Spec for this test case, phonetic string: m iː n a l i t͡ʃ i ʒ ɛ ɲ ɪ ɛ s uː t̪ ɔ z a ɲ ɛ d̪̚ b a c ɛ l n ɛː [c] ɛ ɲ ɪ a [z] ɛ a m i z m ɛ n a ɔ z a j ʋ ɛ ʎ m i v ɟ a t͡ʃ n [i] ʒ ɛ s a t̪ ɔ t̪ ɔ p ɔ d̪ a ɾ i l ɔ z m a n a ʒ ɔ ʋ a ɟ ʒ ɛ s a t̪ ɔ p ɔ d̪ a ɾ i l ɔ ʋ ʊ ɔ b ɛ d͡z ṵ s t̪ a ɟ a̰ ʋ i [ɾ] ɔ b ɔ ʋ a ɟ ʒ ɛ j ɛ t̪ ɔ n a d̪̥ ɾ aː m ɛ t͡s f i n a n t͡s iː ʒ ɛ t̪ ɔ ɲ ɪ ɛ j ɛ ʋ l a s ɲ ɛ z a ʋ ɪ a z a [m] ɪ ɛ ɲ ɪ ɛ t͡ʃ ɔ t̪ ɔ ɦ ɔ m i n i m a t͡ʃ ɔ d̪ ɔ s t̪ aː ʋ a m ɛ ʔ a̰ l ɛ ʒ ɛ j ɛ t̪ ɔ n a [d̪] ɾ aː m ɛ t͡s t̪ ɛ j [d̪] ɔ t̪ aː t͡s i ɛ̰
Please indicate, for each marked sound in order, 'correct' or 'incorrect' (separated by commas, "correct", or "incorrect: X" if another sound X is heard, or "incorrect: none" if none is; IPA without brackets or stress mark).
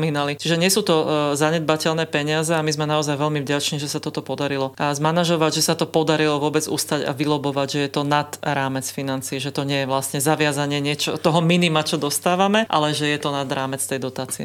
incorrect: p, correct, correct, incorrect: l, incorrect: ɲ, correct, correct